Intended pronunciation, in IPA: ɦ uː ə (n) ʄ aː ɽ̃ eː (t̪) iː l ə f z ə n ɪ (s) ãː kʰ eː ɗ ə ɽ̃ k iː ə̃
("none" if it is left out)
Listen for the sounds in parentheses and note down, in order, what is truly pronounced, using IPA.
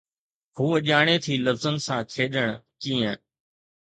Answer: none, t̪ʰ, s

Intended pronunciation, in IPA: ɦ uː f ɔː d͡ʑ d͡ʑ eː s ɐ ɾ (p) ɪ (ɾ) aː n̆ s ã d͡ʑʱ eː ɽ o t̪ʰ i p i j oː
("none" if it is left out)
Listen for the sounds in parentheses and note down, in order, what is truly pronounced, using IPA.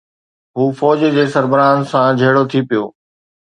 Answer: b, ɾ

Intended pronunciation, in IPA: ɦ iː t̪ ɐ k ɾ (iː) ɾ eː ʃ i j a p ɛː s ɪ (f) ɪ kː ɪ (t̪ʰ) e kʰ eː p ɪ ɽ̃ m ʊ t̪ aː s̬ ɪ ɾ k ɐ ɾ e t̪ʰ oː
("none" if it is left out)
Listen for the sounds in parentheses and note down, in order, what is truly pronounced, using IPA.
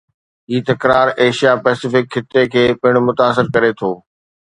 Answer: aː, f, t̪

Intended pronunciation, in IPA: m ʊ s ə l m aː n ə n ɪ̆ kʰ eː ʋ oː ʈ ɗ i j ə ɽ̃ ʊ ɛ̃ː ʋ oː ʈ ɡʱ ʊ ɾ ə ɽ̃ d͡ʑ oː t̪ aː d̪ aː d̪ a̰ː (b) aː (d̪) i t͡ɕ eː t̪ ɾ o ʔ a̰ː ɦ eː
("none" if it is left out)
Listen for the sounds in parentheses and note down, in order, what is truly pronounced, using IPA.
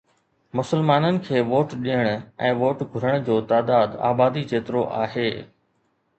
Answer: b, d̪

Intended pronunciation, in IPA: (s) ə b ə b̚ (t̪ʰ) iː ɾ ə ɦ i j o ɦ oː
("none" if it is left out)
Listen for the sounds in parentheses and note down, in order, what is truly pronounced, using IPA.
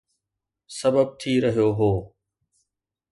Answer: s, t̪ʰ

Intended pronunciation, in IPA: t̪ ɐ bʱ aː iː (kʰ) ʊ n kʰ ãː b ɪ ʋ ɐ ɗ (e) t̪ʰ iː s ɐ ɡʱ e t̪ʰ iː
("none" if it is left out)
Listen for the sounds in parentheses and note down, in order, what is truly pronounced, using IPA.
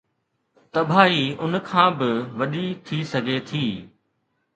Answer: none, i

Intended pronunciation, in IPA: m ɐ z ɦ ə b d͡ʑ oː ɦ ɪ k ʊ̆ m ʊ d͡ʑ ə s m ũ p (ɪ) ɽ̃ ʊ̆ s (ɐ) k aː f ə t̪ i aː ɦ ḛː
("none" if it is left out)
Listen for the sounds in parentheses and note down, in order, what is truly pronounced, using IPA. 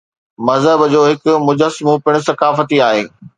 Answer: ɪ, ɐ

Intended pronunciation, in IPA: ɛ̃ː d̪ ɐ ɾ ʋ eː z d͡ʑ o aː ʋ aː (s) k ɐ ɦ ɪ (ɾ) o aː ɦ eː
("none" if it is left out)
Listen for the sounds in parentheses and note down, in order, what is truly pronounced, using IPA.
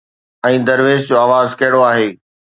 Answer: z, ɽ

